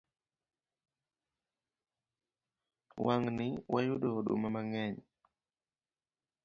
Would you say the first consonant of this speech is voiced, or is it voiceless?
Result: voiced